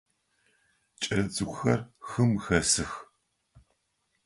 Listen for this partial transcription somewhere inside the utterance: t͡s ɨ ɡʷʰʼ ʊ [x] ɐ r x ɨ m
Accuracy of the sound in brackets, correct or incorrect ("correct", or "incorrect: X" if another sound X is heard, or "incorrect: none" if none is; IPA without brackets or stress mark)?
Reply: correct